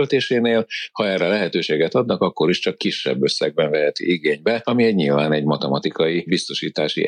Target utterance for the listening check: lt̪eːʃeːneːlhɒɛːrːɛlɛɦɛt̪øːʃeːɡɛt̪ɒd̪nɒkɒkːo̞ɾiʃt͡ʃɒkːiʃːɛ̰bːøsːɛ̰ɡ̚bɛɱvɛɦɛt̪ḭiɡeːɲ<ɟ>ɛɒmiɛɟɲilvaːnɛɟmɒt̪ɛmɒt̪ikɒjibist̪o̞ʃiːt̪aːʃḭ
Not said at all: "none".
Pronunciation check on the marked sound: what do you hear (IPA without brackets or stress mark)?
b